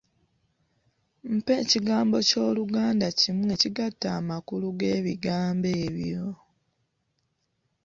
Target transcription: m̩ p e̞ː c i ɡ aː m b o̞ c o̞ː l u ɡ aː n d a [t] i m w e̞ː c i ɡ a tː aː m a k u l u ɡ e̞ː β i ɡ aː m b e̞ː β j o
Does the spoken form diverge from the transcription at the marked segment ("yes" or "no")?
yes